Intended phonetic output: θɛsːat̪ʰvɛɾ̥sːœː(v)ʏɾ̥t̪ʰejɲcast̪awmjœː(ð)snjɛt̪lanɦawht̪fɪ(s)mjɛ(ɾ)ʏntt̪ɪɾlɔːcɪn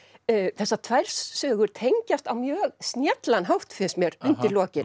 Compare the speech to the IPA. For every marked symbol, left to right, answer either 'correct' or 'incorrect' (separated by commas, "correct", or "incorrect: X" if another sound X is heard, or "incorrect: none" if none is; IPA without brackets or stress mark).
incorrect: ɣ, incorrect: ɣ, correct, correct